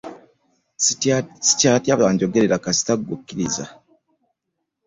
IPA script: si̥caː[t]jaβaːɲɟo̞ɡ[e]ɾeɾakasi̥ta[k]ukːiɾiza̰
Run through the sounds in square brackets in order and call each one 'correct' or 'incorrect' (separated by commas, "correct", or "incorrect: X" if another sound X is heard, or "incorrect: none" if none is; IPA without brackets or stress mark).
correct, correct, incorrect: ɡ